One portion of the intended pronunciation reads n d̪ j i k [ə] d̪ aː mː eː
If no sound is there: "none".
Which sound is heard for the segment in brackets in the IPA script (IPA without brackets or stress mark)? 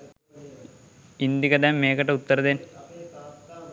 ɐ